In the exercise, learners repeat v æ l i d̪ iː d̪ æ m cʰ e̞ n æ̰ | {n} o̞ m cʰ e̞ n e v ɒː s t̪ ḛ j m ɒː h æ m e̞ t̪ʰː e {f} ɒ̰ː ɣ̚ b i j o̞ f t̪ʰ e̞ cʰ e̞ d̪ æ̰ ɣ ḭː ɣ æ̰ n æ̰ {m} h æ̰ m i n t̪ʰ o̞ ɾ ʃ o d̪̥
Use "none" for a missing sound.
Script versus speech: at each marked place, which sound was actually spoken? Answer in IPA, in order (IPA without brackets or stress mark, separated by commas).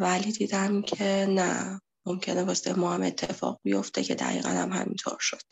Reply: m, f, m